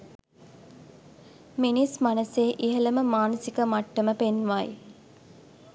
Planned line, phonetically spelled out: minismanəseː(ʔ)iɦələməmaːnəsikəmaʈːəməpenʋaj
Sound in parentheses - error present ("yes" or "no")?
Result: no